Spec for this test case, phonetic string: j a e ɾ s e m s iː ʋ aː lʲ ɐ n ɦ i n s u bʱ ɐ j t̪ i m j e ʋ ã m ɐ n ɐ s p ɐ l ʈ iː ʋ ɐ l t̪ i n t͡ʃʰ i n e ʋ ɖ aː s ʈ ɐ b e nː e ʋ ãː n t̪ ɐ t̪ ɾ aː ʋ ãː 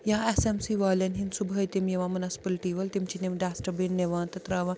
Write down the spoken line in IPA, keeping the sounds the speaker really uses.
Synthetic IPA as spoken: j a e s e m s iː ʋ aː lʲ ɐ n ɦ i n s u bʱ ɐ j t̪ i m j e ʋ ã m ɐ n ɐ s p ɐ l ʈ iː ʋ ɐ l t̪ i m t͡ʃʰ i n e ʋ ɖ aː s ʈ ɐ b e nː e ʋ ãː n t̪ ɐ t̪ ɾ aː ʋ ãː